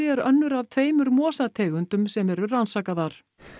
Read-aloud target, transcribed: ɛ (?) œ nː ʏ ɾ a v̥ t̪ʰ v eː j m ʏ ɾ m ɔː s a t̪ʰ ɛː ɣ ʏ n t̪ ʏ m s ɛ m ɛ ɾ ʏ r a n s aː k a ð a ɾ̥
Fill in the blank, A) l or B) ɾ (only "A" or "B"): B